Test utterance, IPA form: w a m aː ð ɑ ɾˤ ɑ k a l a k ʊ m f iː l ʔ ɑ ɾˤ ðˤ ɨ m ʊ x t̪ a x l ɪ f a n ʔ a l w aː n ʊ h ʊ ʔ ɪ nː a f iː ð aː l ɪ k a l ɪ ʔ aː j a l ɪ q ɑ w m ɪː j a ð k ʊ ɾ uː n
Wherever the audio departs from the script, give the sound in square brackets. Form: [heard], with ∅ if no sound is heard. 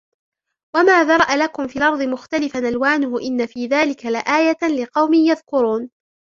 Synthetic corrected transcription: w a m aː ð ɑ ɾˤ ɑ [ʔ] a l a k ʊ m f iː l ʔ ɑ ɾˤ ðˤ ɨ m ʊ x t̪ a [∅] l ɪ f a n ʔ a l w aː n ʊ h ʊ ʔ ɪ nː a f iː ð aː l ɪ k a l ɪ ʔ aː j a l ɪ q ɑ w m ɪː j a ð k ʊ ɾ uː n